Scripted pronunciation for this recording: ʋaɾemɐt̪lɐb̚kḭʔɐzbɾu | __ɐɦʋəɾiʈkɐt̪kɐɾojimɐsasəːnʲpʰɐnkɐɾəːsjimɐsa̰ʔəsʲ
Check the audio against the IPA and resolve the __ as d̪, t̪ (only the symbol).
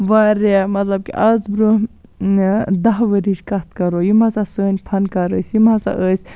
d̪